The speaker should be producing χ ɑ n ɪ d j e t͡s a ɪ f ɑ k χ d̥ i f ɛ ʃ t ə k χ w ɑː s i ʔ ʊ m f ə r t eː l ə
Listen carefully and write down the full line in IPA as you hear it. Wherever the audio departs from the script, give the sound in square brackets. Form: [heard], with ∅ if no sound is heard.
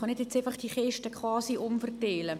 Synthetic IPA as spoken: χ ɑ n ɪ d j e t͡s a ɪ f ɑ [∅] χ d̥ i [χ] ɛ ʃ t ə k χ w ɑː s i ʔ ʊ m f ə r t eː l ə

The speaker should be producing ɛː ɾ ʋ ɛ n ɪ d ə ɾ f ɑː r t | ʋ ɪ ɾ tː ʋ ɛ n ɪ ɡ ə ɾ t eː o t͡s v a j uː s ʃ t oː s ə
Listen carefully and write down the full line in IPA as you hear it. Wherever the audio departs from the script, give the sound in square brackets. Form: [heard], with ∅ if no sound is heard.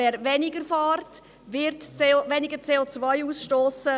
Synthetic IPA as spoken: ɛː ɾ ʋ ɛ n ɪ [ɡ] ə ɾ f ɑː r t | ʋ ɪ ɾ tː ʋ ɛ n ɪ ɡ ə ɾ [t͡s] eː o t͡s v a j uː s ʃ t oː s ə

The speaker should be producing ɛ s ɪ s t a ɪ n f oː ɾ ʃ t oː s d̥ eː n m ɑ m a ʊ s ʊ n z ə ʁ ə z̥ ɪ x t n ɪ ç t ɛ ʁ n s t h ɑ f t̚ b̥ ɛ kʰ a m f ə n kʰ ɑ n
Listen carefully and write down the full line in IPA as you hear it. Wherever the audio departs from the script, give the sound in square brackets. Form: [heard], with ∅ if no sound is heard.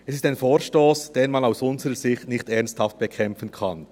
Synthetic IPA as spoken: ɛ s ɪ s t a ɪ n f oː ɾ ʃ t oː s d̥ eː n m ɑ [n] a ʊ s ʊ n z ə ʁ ə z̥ ɪ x t n ɪ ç t ɛ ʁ n s t h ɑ f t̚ b̥ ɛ kʰ [ɛ] m f ə n kʰ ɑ n

